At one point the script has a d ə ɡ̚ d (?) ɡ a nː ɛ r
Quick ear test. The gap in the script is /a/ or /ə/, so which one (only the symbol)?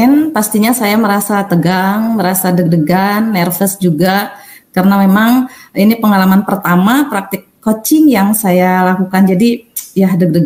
ə